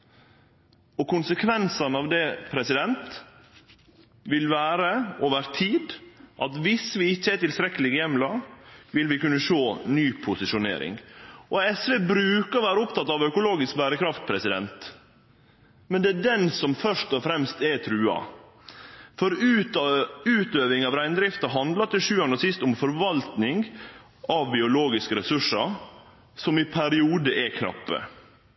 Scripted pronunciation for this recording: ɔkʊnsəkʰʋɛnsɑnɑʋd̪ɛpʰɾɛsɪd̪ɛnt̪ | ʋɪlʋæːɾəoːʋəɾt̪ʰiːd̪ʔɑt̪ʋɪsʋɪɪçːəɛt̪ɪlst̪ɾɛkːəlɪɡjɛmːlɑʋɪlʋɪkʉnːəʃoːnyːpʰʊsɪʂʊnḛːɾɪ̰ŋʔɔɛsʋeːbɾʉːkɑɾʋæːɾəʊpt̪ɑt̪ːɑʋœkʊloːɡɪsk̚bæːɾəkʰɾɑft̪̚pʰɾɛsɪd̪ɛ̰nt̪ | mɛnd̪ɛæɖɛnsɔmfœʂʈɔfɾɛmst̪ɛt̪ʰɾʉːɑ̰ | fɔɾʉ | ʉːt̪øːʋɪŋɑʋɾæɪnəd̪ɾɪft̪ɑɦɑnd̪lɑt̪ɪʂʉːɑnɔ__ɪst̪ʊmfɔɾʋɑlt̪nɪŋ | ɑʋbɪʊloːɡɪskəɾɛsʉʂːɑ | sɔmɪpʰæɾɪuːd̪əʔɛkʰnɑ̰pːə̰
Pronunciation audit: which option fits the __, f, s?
s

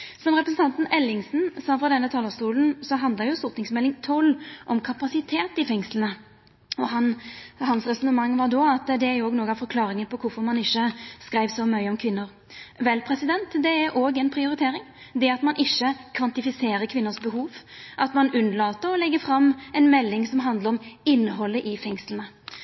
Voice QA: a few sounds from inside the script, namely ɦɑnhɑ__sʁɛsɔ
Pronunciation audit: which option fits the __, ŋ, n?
n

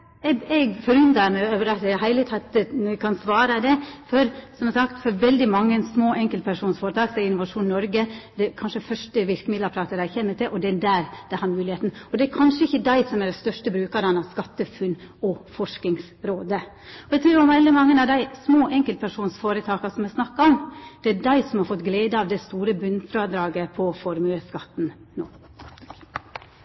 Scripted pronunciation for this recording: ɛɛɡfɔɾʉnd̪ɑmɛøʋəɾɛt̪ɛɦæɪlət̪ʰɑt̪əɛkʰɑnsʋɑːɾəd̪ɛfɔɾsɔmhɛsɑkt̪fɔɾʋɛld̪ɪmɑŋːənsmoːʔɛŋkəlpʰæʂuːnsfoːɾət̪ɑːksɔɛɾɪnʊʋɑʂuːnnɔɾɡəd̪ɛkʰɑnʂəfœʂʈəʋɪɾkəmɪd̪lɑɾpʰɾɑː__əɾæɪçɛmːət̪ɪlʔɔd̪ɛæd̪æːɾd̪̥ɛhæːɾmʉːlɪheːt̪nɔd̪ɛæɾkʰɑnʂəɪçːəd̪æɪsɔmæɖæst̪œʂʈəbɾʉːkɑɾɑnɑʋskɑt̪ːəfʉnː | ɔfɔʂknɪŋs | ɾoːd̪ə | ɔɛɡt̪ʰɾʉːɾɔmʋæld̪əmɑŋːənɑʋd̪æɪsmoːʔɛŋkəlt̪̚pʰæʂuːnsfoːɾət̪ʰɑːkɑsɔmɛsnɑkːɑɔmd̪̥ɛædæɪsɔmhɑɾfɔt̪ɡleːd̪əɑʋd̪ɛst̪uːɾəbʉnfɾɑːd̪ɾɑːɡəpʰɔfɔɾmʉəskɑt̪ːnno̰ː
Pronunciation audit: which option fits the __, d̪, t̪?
t̪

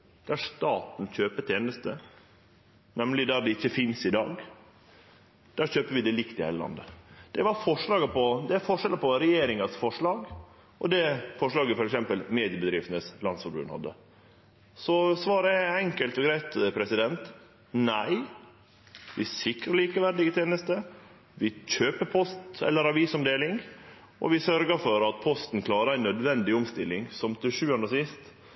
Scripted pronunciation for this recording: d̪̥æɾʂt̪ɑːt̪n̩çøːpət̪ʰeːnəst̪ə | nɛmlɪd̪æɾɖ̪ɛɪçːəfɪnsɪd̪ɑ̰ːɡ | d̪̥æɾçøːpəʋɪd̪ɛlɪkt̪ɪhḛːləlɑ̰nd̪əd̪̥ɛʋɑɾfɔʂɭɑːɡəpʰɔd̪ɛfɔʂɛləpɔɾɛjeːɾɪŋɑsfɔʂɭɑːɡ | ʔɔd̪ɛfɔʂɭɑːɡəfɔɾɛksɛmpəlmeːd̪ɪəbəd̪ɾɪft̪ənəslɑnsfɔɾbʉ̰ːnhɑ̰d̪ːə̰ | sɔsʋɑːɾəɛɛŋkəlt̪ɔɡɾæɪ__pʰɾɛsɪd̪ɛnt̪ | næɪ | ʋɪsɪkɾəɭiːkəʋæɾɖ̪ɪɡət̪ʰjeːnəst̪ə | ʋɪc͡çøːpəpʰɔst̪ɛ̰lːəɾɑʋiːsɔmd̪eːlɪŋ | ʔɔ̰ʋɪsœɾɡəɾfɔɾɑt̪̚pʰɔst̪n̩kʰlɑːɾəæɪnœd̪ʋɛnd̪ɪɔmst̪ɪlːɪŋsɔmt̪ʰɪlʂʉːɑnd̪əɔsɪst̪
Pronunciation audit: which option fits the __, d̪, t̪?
t̪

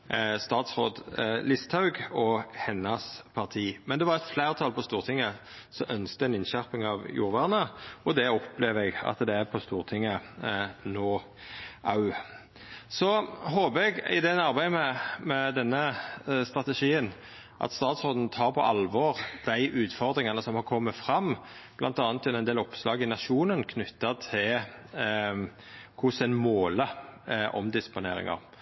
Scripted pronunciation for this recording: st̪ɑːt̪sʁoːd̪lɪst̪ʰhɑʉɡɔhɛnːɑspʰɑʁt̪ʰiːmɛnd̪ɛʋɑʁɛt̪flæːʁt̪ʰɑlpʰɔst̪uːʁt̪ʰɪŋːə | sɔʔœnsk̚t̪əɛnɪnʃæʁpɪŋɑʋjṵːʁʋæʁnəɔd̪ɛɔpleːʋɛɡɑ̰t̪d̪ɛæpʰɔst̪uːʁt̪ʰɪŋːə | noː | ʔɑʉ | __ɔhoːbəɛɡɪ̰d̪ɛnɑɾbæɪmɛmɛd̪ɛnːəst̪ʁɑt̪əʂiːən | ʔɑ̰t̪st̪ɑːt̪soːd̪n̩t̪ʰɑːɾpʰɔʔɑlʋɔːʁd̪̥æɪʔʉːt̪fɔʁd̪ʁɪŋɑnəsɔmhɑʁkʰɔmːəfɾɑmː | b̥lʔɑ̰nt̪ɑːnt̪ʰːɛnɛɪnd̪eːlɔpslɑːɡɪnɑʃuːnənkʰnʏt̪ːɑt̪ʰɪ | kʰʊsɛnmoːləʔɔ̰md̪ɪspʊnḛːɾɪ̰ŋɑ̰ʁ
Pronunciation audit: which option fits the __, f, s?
s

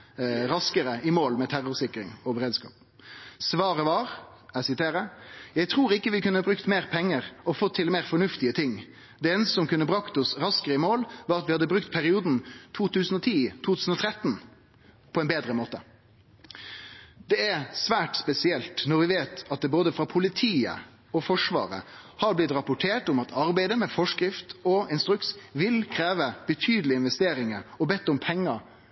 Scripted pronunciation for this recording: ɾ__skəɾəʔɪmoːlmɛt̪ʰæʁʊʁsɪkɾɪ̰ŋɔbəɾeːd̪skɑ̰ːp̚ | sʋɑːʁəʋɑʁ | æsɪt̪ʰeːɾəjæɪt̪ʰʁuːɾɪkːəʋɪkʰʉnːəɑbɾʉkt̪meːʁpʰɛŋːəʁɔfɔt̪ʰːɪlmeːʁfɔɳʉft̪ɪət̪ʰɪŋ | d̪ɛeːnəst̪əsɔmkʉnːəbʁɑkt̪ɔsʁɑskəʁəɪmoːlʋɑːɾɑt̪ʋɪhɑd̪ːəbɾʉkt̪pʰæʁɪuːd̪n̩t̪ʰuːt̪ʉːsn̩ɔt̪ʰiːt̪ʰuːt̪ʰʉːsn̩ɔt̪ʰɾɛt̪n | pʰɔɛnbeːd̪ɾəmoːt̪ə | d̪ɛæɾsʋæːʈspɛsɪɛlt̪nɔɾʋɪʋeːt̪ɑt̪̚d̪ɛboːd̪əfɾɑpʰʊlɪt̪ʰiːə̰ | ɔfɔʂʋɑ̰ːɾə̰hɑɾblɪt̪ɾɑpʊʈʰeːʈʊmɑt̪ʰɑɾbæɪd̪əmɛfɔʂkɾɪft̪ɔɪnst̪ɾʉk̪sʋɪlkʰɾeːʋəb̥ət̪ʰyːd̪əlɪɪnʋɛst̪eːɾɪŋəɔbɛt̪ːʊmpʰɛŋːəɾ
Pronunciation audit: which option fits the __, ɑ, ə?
ɑ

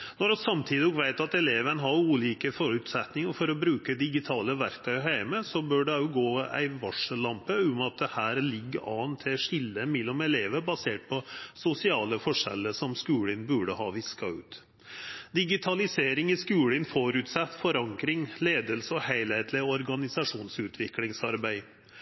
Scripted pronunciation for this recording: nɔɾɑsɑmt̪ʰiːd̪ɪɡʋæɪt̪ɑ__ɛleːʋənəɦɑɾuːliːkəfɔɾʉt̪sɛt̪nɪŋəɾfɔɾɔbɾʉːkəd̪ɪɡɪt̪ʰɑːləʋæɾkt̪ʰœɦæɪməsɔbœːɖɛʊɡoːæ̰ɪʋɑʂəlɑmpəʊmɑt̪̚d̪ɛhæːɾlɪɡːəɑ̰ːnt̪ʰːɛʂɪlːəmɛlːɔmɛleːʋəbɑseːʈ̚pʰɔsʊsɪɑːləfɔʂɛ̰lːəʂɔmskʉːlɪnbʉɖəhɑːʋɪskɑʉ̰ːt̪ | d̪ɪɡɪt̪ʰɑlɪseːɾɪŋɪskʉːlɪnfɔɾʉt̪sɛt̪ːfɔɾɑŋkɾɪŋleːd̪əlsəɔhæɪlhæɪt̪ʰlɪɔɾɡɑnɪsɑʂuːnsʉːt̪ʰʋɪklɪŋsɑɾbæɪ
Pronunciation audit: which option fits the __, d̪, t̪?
t̪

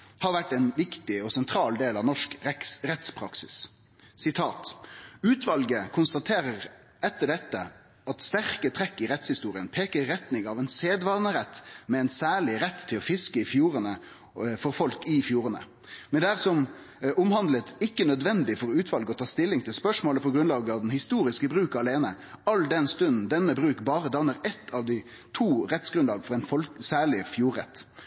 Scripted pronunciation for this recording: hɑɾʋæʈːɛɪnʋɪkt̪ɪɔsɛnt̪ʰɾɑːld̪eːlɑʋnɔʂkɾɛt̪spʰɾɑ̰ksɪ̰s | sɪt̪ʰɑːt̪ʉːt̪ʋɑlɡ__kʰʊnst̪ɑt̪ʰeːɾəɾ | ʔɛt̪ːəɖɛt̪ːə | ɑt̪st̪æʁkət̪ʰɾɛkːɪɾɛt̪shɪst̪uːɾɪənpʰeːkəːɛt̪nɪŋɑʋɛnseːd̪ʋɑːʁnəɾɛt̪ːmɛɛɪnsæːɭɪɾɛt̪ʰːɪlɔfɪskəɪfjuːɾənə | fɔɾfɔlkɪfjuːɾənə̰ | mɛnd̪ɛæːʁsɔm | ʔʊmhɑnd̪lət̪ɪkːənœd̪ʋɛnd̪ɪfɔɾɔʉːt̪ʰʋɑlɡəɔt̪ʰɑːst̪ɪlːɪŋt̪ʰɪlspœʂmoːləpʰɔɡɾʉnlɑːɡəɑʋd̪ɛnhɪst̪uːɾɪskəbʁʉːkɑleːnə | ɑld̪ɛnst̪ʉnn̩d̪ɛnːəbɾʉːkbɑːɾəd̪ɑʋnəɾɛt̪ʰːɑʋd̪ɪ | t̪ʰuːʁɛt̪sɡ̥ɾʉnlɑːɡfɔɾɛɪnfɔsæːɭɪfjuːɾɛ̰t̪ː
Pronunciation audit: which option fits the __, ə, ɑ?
ə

